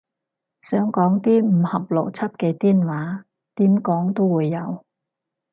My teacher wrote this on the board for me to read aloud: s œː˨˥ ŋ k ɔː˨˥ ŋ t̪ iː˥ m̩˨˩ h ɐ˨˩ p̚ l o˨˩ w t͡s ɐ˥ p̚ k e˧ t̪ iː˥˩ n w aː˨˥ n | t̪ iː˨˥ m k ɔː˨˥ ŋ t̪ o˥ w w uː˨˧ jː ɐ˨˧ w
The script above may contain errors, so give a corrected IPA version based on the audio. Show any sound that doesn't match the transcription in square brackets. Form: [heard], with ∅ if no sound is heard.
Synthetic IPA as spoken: s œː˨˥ ŋ k ɔː˨˥ ŋ t̪ iː˥ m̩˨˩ h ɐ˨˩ p̚ l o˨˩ w [t͡sʰ] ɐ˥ p̚ k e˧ t̪ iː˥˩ n w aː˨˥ [∅] | t̪ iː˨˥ m k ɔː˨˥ ŋ t̪ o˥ w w uː˨˧ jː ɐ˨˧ w